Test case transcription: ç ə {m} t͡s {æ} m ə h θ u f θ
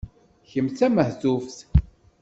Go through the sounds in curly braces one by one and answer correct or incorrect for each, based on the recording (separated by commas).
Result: correct, correct